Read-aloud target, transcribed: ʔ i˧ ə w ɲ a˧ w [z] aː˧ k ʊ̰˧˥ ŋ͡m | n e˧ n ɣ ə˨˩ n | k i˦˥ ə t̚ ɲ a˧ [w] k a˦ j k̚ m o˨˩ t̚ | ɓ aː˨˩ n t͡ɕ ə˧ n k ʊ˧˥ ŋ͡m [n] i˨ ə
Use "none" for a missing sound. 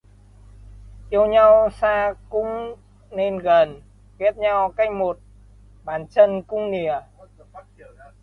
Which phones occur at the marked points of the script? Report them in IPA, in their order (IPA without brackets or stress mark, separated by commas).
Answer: s, w, n